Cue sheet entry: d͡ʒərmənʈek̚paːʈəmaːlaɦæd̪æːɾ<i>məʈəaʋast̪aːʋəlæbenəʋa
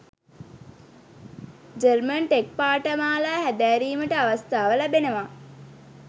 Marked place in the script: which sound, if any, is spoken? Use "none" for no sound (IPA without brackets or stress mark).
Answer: iː